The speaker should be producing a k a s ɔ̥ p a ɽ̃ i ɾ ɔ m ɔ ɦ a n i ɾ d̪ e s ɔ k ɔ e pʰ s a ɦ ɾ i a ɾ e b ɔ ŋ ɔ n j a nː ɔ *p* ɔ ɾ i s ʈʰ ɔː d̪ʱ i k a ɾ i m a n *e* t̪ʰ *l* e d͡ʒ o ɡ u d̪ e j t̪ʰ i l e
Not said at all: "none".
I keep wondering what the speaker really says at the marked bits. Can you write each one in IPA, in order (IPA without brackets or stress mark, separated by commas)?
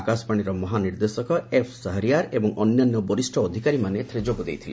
b, e, ɾ